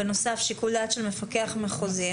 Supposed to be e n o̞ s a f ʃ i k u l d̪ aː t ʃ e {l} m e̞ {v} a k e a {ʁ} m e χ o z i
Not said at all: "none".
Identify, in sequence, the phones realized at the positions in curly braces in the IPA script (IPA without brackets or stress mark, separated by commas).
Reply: l, f, χ